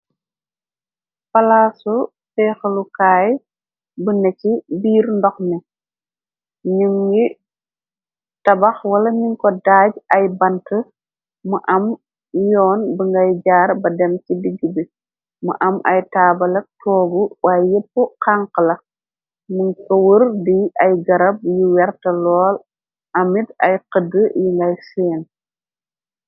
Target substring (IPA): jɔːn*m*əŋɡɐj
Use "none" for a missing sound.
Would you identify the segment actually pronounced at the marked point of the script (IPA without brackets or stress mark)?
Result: b